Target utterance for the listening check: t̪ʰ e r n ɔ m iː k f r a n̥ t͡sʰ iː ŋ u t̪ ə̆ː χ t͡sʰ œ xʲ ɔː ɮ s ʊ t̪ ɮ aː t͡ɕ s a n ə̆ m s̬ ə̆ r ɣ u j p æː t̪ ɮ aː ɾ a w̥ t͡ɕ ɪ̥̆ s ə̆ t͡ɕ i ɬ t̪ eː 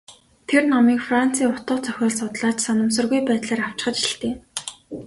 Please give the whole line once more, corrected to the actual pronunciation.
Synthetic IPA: t̪ʰ e r n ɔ m iː k f r a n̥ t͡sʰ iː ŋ ʊ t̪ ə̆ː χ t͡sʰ œ xʲ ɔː ɮ s ʊ t̪ ɮ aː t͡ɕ s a n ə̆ m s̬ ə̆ r ɣ u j p æː t̪ ɮ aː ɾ a w̥ t͡ɕ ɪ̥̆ χ ə̆ t͡ɕ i ɬ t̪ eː